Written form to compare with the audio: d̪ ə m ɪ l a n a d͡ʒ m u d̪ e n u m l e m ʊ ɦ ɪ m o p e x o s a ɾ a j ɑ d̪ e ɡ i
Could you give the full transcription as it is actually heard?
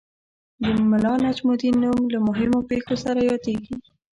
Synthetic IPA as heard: d̪ ə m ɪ l ɑ n a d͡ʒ m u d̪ i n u m l a m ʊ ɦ ɪ m o p e x o s a ɾ a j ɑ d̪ e ɡ i

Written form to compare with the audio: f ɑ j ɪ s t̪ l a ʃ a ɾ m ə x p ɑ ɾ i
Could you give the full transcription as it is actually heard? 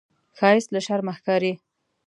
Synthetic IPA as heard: x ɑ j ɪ s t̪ l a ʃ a ɾ m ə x k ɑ ɾ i

